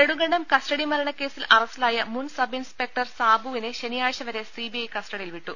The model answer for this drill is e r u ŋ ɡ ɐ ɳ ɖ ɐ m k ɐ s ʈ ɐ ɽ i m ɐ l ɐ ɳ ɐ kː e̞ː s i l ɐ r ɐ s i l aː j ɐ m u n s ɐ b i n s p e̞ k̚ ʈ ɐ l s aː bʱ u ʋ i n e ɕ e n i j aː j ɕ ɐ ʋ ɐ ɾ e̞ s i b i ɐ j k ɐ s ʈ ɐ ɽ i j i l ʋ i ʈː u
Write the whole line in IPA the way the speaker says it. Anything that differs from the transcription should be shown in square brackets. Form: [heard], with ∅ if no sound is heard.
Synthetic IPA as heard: e [ɽ] u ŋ ɡ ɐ ɳ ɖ ɐ m k ɐ s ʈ ɐ ɽ i m ɐ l ɐ ɳ ɐ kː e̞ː s i l ɐ r ɐ s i l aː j ɐ m u n s ɐ b i n s p e̞ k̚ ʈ ɐ [r] s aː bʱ u ʋ i n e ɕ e n i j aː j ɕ ɐ ʋ ɐ ɾ e̞ s i b i ɐ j k ɐ s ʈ ɐ ɽ i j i l ʋ i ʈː u

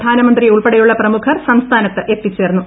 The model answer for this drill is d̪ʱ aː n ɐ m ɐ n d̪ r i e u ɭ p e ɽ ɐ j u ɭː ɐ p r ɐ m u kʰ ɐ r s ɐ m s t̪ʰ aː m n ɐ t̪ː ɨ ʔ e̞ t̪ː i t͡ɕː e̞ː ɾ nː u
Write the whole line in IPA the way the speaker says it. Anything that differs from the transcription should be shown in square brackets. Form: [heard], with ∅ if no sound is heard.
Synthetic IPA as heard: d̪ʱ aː n ɐ m ɐ n d̪ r i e u ɭ p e ɽ ɐ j u ɭː ɐ p r ɐ m u kʰ ɐ r s ɐ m s t̪ʰ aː [∅] n ɐ t̪ː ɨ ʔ e̞ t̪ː i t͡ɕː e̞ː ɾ nː u

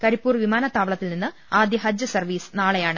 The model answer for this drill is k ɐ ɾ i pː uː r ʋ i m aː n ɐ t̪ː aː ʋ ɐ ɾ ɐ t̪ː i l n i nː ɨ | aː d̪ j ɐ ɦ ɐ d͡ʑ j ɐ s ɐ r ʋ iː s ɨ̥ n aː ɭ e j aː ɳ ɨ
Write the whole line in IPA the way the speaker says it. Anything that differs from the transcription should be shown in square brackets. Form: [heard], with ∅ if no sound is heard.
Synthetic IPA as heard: k ɐ ɾ i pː uː r ʋ i m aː n ɐ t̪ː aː ʋ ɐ [ɭ] ɐ t̪ː i l n i nː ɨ | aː d̪ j ɐ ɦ ɐ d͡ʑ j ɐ s ɐ r ʋ iː s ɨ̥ n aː ɭ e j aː ɳ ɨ

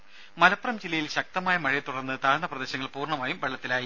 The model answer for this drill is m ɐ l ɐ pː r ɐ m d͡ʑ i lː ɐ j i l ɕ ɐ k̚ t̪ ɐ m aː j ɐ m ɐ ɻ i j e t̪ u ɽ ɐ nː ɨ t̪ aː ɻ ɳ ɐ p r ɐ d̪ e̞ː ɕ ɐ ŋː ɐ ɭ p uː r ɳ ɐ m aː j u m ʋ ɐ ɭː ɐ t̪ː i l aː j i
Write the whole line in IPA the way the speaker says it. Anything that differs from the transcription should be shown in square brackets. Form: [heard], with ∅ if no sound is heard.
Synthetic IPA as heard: m ɐ l ɐ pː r ɐ m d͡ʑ i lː ɐ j i l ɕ ɐ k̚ t̪ ɐ m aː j ɐ m ɐ ɻ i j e t̪ u ɽ ɐ nː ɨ t̪ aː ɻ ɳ ɐ p r ɐ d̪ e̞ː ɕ ɐ ŋː ɐ ɭ p uː r ɳ ɐ m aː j u m ʋ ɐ ɭː ɐ t̪ː i l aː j i

